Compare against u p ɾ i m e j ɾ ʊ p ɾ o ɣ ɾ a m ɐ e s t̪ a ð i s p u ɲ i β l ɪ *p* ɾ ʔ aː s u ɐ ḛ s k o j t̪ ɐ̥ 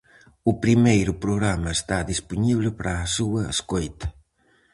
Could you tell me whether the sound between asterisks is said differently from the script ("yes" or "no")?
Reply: no